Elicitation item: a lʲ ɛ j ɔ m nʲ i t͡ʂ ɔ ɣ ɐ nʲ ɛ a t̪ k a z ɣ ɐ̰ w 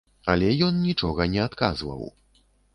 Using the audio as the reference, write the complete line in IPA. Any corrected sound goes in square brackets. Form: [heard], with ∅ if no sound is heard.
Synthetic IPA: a lʲ ɛ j ɔ [n] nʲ i t͡ʂ ɔ ɣ ɐ nʲ ɛ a t̪ k a z [v] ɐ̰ w